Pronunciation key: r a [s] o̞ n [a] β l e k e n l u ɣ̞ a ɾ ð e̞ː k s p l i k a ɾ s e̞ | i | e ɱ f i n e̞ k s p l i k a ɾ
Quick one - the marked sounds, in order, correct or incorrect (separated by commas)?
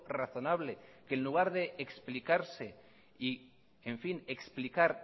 incorrect, correct